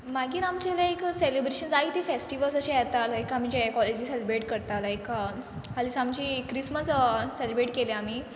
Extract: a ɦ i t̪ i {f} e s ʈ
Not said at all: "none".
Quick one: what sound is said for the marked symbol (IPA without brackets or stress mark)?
f